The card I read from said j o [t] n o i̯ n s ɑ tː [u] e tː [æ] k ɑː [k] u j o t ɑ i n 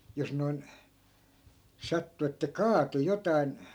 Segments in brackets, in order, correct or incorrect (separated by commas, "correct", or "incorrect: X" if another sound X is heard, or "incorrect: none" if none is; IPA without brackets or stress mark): incorrect: s, correct, correct, incorrect: t